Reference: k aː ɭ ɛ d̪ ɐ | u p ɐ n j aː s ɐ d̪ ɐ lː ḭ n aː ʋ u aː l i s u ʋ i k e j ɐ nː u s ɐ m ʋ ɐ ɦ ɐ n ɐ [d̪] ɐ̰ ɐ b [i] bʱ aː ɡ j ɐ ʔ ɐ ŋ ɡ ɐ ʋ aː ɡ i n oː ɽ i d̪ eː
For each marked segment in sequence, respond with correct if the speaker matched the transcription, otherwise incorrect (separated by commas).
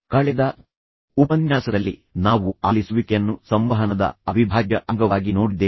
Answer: correct, correct